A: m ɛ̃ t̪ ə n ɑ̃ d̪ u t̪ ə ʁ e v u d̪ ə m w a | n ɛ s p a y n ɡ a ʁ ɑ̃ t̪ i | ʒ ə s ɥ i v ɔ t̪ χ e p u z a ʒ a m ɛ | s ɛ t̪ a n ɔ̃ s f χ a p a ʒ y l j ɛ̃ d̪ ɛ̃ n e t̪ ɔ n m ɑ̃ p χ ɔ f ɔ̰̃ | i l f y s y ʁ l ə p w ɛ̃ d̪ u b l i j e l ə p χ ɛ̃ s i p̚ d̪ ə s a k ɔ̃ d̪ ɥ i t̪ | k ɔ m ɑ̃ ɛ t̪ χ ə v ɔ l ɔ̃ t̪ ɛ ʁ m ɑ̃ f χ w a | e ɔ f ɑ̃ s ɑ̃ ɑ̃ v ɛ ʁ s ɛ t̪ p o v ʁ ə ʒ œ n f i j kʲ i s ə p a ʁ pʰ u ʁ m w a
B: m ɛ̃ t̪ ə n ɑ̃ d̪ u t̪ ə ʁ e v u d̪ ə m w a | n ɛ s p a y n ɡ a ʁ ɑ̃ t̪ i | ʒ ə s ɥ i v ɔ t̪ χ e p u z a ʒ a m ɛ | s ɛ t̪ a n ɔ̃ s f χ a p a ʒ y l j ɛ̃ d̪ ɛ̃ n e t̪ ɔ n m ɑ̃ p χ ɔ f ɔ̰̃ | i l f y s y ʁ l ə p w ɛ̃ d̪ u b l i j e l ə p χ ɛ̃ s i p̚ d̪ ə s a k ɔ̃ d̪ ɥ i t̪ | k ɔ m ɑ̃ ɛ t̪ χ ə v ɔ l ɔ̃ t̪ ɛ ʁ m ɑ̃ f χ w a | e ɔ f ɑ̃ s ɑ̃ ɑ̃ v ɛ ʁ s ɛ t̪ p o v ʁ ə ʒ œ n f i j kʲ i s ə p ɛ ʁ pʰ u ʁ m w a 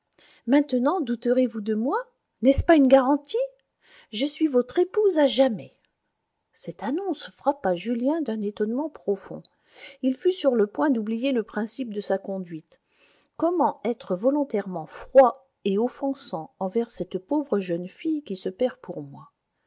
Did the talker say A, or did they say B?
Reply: B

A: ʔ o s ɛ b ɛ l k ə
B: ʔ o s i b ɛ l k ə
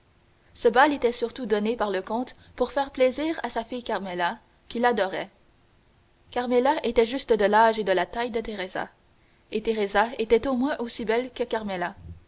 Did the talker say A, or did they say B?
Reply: B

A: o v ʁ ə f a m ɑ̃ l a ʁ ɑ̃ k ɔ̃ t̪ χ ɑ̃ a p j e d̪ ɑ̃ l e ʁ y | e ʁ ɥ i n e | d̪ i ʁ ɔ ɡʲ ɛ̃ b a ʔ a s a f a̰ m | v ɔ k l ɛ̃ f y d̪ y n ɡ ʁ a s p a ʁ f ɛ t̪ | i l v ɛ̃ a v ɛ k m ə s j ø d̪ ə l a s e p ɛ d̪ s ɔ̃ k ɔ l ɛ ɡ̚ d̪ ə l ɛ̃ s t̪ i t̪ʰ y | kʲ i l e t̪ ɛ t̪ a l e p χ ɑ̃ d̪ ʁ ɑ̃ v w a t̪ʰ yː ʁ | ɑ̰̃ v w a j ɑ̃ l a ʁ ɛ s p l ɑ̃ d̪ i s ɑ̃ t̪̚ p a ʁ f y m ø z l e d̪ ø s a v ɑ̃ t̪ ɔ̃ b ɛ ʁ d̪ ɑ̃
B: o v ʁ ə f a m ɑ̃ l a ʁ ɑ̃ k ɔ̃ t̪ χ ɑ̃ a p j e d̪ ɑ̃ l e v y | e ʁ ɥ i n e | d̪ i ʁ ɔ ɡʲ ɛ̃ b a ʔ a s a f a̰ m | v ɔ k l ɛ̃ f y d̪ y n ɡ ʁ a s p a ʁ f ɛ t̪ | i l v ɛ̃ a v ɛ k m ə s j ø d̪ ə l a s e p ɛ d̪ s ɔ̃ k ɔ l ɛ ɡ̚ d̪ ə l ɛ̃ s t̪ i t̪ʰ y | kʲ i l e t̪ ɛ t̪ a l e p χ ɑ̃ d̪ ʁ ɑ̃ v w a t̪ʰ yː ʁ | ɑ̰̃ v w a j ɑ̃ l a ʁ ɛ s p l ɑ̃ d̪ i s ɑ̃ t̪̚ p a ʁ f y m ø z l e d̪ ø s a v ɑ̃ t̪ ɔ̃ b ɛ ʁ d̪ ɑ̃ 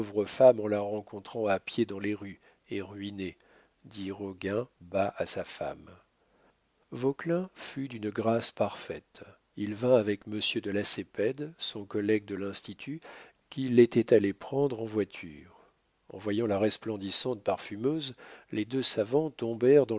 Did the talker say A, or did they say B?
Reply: A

